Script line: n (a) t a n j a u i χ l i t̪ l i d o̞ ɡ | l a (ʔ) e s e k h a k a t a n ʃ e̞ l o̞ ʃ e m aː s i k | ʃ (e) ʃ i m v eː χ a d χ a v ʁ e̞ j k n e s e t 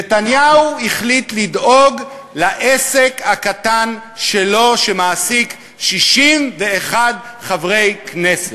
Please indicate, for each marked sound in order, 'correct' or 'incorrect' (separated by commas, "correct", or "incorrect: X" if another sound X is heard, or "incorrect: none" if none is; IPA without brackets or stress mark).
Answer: incorrect: e, correct, incorrect: i